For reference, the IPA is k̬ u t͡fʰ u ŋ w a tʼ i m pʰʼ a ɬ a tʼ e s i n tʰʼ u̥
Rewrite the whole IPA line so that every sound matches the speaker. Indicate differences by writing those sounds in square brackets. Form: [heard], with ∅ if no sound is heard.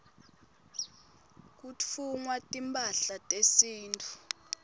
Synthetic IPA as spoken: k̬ u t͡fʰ u ŋ w a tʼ i m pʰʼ a ɬ a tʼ e s [iː] n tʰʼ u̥